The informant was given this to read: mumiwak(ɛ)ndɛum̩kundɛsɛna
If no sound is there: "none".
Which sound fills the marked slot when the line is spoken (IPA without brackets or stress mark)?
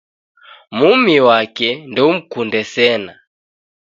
ɛ